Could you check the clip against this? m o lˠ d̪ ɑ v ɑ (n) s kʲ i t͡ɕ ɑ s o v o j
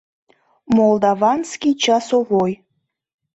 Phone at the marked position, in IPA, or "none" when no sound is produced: n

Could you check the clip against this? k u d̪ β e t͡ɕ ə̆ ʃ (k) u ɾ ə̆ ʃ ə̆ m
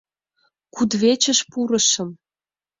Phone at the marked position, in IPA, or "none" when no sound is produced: p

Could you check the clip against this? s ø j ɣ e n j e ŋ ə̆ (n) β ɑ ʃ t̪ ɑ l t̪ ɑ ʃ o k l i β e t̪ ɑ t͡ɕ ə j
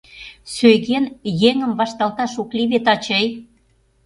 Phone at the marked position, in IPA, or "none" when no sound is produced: m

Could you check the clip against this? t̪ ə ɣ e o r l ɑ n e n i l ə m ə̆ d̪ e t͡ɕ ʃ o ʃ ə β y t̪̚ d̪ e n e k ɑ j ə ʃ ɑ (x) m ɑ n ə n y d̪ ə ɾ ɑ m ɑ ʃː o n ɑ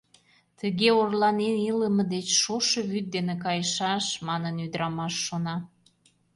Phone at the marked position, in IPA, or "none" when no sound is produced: ʃ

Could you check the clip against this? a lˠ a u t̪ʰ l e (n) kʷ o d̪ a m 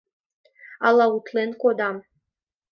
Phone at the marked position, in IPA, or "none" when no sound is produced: n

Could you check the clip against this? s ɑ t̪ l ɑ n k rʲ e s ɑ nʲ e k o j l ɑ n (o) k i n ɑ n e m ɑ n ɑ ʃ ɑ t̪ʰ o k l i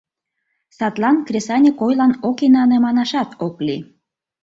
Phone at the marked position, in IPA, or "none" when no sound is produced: o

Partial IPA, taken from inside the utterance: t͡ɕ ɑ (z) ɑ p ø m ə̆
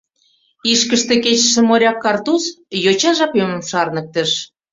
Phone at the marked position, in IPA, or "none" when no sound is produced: ʒ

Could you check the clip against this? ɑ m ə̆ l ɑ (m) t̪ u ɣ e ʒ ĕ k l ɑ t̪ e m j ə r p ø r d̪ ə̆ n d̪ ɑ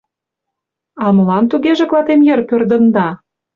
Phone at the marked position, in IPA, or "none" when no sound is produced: n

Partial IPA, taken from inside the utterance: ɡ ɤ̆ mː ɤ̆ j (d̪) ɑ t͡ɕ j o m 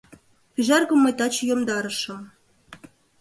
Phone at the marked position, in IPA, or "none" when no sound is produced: t̪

